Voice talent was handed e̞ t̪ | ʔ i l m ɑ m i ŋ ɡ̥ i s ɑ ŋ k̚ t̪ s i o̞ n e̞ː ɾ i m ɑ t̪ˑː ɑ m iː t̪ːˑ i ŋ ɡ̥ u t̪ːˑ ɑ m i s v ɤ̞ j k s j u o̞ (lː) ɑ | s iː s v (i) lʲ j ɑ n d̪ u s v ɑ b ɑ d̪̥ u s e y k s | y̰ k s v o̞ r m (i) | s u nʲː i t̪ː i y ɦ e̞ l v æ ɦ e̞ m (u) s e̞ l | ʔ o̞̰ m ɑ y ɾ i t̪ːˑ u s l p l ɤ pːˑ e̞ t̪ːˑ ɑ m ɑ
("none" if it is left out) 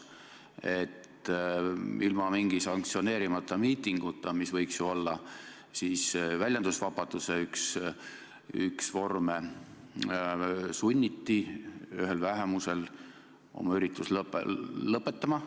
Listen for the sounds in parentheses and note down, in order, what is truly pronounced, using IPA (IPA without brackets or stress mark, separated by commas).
lː, æ, e, u